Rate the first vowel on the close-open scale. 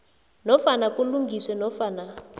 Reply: mid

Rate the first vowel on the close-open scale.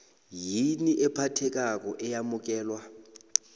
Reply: close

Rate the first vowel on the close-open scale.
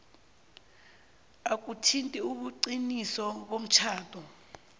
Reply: open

